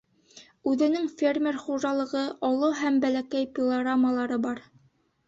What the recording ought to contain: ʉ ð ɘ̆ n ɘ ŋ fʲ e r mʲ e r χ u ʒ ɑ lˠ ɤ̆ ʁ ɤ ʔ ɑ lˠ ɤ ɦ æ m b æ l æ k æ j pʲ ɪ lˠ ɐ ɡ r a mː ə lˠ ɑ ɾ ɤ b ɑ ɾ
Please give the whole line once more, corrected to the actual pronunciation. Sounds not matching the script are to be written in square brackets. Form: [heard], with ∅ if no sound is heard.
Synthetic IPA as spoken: ʉ ð ɘ̆ n ɘ ŋ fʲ e r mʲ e r χ u ʒ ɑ lˠ ɤ̆ ʁ ɤ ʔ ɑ lˠ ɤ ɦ æ m b æ l æ k æ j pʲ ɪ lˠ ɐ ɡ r a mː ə lˠ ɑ ɾ ɤ b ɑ ɾ